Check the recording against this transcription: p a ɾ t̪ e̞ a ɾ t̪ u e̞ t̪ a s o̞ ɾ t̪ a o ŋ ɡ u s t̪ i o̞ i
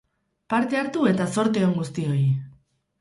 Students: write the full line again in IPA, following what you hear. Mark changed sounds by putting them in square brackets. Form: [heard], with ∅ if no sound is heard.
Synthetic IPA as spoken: p a ɾ t̪ e̞ a ɾ t̪ u e̞ t̪ a s o̞ ɾ t̪ [e] o ŋ ɡ u s t̪ i o̞ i